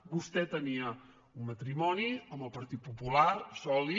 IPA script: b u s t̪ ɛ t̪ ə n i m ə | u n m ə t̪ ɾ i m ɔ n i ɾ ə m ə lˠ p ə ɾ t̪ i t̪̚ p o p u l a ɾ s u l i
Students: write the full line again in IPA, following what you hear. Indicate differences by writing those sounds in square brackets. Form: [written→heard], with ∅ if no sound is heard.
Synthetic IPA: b u s t̪ ɛ t̪ ə n i [m→∅] ə | u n m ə t̪ ɾ i m ɔ n i [ɾ→∅] ə m ə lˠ p ə ɾ t̪ i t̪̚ p [o→u] p u l a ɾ s [u→ɔ] l i